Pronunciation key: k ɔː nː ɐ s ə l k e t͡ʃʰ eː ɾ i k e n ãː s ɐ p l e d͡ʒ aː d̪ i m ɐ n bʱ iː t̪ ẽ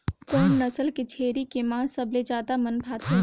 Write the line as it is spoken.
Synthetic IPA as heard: k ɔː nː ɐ s ə l k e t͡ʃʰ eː ɾ i k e m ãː s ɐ b l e d͡ʒ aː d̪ a m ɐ n bʱ aː t̪ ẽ